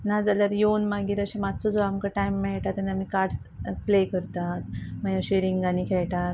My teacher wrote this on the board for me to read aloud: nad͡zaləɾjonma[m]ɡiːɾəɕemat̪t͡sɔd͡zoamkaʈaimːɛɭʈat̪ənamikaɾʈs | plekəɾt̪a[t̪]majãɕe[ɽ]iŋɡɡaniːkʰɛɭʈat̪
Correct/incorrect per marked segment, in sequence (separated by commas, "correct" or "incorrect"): incorrect, correct, incorrect